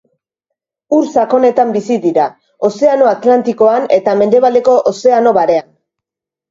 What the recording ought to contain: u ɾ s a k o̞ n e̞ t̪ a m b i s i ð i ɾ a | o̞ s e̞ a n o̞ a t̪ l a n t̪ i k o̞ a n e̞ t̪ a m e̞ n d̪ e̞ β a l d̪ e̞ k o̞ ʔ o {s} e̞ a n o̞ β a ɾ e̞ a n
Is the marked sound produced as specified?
yes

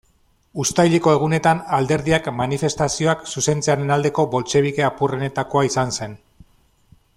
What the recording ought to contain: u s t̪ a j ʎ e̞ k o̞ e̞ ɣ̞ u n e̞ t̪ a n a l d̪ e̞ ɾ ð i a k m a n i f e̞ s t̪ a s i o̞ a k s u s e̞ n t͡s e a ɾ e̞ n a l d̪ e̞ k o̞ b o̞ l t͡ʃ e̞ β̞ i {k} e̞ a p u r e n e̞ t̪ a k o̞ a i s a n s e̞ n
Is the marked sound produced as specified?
yes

